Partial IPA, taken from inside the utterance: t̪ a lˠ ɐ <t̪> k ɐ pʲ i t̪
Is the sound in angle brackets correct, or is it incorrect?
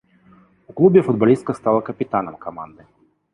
incorrect